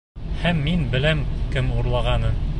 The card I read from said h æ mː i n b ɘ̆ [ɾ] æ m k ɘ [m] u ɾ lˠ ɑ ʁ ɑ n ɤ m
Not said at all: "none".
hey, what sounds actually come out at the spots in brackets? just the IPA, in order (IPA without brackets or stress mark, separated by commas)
l, m